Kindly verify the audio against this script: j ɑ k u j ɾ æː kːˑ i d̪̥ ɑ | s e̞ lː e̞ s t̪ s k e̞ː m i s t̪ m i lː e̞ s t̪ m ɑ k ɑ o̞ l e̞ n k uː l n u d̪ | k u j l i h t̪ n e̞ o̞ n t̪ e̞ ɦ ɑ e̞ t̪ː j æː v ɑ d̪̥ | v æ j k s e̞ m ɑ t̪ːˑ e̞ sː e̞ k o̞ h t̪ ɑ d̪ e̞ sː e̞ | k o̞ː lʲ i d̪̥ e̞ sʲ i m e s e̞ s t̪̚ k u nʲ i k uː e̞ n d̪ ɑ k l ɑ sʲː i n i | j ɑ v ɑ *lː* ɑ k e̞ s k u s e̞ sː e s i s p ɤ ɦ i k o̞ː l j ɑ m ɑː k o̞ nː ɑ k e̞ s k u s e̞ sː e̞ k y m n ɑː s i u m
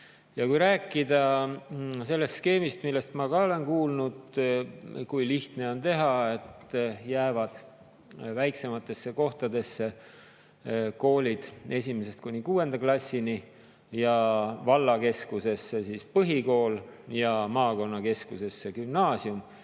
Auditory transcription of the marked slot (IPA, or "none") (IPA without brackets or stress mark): lː